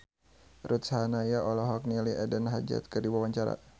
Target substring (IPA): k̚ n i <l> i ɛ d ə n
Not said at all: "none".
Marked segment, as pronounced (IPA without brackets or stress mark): l